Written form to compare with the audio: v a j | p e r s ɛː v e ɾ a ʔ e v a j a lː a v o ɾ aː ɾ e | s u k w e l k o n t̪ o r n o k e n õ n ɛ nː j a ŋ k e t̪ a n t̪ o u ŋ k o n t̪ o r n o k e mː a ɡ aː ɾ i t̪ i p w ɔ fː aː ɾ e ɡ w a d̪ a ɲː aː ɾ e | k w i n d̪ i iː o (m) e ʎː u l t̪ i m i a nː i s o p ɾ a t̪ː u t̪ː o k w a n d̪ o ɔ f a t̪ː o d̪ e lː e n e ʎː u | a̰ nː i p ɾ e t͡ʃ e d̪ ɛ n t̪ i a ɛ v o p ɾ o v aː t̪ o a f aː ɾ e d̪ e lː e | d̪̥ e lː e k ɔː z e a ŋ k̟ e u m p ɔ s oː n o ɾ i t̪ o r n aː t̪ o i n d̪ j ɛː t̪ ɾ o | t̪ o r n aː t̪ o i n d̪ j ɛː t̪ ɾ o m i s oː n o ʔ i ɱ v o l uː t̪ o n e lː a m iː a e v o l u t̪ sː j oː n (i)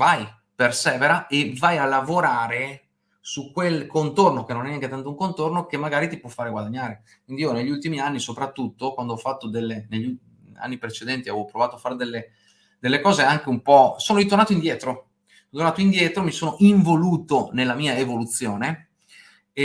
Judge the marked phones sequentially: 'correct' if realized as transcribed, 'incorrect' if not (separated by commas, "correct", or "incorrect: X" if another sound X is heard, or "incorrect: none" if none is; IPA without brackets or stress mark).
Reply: incorrect: n, incorrect: e